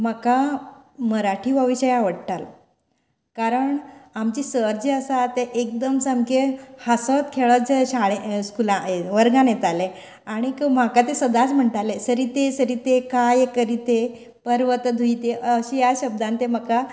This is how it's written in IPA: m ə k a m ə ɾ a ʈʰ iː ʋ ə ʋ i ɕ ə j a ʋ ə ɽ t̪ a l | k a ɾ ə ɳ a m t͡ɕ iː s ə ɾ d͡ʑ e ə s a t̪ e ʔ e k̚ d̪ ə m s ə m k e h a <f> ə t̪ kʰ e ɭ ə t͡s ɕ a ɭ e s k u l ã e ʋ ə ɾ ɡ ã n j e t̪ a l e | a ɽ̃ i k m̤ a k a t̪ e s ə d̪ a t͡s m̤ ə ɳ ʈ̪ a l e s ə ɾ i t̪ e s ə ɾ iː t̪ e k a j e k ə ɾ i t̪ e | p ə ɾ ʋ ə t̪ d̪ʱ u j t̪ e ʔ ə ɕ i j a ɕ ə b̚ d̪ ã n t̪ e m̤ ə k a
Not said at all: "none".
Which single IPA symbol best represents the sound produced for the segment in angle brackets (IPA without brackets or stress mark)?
s